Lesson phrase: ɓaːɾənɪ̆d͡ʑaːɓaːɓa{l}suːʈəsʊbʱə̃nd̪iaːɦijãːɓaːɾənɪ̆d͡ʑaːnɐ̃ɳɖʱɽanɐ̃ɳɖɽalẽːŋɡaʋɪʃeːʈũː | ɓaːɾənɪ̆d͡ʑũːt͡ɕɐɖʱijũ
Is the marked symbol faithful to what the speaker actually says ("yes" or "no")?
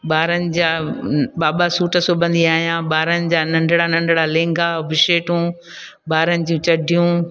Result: no